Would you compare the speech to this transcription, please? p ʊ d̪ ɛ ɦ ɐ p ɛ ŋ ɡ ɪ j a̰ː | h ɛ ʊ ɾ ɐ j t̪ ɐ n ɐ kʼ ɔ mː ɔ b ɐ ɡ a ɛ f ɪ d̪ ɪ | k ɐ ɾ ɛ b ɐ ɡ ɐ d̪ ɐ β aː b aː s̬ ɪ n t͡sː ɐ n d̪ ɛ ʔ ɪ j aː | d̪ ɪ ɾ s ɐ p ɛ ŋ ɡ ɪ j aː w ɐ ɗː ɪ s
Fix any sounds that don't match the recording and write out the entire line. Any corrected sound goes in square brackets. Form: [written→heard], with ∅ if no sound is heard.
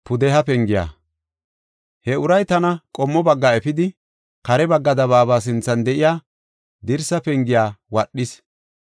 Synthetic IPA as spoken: p ʊ d̪ ɛ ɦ ɐ p ɛ ŋ ɡ ɪ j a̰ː | h ɛ ʊ ɾ ɐ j t̪ ɐ n ɐ kʼ ɔ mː ɔ b ɐ [ɡ→ɡː] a ɛ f ɪ d̪ ɪ | k ɐ ɾ ɛ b ɐ [ɡ→ɡː] ɐ d̪ ɐ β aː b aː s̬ ɪ n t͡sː ɐ n d̪ ɛ ʔ ɪ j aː | d̪ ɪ ɾ s ɐ p ɛ ŋ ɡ ɪ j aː w ɐ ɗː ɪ s